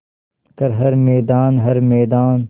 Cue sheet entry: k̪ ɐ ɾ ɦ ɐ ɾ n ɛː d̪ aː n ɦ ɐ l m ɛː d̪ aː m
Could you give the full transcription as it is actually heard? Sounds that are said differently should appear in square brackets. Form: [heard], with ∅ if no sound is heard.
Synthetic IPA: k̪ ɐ ɾ ɦ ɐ ɾ [m] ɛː d̪ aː n ɦ ɐ [ɾ] m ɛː d̪ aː [n]

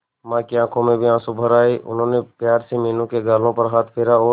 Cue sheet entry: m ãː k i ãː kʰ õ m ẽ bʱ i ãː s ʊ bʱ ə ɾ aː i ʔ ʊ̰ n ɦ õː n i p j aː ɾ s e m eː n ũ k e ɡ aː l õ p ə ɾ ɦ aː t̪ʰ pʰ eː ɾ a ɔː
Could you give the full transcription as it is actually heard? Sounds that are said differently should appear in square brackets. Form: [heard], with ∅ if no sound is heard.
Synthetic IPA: m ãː k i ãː kʰ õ m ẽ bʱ i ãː s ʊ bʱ ə ɾ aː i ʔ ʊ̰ n ɦ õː n [e] p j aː ɾ s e m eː n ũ k e ɡ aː l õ p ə ɾ ɦ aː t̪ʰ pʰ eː ɾ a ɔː

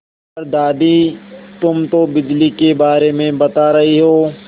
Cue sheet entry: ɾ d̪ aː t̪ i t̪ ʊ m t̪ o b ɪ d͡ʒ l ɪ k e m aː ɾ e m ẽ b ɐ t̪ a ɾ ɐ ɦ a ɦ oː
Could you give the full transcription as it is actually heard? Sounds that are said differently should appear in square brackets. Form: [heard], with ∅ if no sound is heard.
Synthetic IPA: ɾ d̪ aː [d̪] i t̪ ʊ m t̪ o b ɪ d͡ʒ l [i] k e [b] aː ɾ e m ẽ b ɐ t̪ a ɾ ɐ ɦ [i] ɦ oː

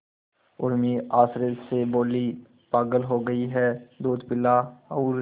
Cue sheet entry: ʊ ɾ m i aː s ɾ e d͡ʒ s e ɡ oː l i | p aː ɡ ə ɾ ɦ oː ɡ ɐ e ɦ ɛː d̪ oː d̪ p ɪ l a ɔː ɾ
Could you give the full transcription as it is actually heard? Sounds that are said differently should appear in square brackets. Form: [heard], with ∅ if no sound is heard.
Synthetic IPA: ʊ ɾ m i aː s ɾ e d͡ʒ s e [b] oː l i | p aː ɡ ə [l] ɦ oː ɡ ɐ [i] ɦ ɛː d̪ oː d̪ p ɪ l a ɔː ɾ

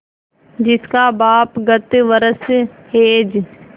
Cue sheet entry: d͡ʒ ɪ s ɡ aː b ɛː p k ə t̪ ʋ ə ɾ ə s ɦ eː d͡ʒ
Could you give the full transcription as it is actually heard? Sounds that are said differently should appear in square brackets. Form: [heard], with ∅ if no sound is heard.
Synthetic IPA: d͡ʒ ɪ s [k] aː b [aː] p [ɡ] ə t̪ ʋ ə ɾ ə s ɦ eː d͡ʒ

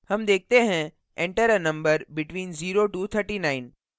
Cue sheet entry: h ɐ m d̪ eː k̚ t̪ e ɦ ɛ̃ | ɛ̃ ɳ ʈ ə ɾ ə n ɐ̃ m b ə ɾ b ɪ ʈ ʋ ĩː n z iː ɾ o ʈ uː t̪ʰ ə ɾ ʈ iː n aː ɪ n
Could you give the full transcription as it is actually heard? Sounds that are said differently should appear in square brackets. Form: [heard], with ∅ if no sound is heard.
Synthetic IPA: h ɐ m d̪ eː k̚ t̪ e ɦ ɛ̃ | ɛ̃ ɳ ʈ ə ɾ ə n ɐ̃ m b ə ɾ b ɪ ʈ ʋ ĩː n z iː ɾ o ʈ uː t̪ʰ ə ɾ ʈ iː n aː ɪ n

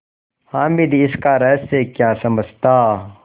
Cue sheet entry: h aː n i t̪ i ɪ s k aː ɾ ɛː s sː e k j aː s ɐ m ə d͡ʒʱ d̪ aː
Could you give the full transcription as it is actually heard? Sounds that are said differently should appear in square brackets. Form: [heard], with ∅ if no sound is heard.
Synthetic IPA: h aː [m] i [d̪] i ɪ s k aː ɾ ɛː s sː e k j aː s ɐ m ə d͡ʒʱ [t̪] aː

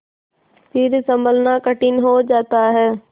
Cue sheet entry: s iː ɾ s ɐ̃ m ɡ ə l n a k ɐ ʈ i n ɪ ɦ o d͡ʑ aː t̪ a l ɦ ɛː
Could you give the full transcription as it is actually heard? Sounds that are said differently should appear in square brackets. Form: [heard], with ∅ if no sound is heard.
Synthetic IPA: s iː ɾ s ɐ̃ m [b] ə l n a k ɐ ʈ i n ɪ ɦ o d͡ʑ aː t̪ a [∅] ɦ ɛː

